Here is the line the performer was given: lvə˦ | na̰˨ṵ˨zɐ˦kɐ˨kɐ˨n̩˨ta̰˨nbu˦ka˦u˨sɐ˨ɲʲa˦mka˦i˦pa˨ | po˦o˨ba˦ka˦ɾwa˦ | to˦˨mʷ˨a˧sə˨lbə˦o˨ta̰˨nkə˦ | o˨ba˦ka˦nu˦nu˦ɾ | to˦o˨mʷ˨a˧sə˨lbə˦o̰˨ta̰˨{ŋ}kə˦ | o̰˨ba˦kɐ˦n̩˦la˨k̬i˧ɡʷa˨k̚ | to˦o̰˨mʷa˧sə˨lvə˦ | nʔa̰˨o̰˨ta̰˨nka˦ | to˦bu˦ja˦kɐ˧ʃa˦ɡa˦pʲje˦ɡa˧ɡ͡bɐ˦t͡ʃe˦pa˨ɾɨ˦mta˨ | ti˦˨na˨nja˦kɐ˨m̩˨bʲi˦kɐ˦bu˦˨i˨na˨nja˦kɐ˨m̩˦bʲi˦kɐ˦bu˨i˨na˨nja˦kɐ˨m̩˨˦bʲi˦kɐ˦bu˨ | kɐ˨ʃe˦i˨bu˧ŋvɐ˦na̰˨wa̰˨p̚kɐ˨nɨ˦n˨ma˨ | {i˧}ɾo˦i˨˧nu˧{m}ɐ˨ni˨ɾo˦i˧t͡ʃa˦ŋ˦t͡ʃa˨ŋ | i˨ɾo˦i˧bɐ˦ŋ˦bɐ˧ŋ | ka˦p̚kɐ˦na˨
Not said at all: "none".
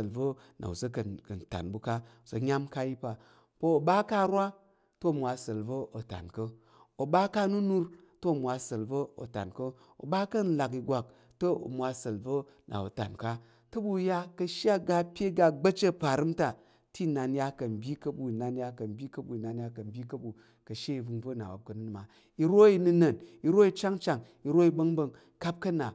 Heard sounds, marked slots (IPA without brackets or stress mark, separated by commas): n, i˧, n